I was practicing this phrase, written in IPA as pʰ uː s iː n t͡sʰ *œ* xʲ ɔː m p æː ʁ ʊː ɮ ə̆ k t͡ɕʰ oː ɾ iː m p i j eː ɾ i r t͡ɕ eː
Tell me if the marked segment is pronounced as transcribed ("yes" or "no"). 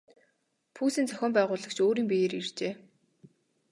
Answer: yes